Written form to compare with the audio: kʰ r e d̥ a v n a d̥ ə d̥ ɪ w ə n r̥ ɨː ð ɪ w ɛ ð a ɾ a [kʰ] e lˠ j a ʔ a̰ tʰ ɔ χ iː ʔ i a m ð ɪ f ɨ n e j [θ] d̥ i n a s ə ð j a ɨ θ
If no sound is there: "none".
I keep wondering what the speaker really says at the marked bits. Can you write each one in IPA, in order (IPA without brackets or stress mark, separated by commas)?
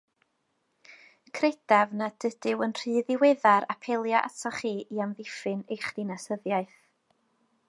pʰ, χ